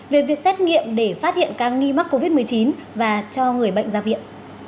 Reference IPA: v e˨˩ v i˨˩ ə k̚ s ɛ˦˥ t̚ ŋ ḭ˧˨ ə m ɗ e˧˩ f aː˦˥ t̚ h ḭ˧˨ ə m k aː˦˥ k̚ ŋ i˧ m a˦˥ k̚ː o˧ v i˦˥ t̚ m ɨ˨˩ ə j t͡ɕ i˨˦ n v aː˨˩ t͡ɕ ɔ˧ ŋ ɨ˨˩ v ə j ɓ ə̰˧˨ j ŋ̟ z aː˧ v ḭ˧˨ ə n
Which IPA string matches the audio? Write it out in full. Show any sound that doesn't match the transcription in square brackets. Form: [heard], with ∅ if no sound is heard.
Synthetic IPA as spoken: v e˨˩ v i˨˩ ə k̚ s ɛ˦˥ t̚ ŋ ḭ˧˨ ə m ɗ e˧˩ f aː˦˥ t̚ h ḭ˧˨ ə [n] k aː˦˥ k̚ ŋ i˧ m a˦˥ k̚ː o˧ v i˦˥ t̚ m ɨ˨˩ ə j t͡ɕ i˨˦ n v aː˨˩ t͡ɕ ɔ˧ ŋ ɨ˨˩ [∅] ə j ɓ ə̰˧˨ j ŋ̟ z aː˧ v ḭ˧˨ ə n